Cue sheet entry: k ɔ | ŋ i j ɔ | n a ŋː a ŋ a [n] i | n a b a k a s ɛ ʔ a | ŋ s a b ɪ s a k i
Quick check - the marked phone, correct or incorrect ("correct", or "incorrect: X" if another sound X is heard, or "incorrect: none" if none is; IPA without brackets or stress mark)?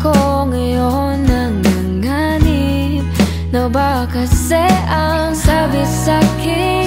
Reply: correct